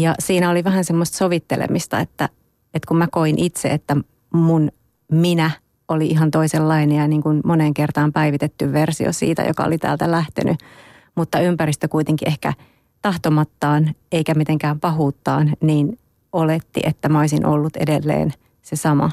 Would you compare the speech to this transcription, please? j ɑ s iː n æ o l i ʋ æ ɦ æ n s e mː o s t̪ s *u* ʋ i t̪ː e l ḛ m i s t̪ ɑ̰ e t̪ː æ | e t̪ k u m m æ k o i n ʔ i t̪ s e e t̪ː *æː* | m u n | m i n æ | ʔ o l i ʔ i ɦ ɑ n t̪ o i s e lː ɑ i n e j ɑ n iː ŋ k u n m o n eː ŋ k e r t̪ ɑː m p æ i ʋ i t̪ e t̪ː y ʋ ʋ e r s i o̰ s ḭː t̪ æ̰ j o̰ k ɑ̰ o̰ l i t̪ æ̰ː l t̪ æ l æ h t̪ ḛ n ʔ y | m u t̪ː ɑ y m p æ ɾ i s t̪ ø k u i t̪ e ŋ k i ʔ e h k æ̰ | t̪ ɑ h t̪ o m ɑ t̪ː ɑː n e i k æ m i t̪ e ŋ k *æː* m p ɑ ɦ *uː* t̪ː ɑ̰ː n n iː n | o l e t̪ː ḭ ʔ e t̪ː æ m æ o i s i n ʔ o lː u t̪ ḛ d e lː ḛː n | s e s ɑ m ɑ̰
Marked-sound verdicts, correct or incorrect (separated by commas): incorrect, incorrect, correct, correct